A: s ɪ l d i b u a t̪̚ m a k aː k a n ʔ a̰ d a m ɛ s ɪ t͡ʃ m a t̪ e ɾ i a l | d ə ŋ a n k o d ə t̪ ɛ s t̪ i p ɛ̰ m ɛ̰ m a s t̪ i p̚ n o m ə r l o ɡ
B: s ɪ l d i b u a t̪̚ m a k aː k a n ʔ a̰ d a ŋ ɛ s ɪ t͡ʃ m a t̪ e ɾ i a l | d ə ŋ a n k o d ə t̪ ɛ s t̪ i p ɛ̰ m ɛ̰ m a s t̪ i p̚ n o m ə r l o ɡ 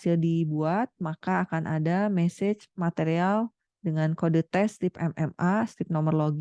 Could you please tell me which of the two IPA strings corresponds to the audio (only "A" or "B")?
A